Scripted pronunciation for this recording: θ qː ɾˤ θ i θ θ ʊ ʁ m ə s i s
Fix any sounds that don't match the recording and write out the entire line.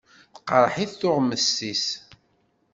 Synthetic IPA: θ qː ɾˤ ħ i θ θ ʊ ʁ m ə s i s